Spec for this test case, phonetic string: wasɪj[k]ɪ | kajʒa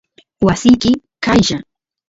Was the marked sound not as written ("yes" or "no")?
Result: no